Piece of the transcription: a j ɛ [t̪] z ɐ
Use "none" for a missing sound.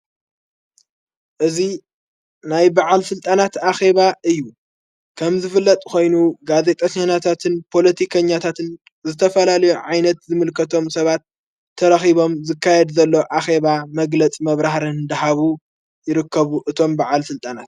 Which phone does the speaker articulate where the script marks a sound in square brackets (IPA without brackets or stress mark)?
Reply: d̪